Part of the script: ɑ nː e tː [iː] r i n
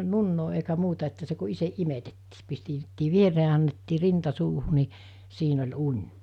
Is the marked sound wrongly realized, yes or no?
no